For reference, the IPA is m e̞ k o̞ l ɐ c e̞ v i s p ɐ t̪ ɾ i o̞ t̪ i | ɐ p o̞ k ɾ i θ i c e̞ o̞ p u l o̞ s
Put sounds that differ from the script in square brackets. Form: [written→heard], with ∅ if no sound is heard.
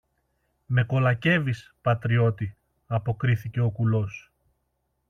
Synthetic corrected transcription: m e̞ k o̞ l ɐ c e̞ v i s p ɐ t̪ ɾ i o̞ t̪ i | ɐ p o̞ k ɾ i θ i c e̞ o̞ [p→k] u l o̞ s